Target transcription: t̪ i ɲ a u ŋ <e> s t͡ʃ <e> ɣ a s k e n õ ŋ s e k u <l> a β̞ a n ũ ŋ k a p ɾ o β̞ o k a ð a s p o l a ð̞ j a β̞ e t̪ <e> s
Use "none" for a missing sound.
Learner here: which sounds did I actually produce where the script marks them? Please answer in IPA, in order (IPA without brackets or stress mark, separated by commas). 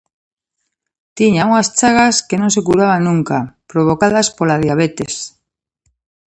a, a, ɾ, e